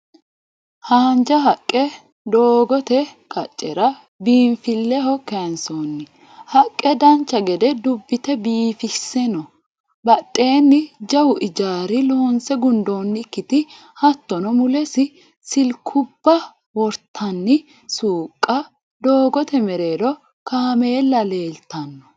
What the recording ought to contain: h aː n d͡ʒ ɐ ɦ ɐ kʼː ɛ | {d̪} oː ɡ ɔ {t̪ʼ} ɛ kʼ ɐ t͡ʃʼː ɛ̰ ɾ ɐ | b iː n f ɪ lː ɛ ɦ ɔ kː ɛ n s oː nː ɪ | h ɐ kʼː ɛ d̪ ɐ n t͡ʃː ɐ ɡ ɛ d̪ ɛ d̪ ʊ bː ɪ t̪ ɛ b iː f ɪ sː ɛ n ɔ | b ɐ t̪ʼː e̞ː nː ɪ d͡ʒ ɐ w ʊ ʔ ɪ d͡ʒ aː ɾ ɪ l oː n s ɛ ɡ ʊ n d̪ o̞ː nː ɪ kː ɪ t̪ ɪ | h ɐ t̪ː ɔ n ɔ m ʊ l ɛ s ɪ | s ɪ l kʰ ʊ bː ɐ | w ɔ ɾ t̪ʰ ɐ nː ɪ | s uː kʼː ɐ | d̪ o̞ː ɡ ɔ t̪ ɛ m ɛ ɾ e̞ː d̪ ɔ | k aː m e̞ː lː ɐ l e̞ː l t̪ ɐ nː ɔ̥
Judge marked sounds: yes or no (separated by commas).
yes, no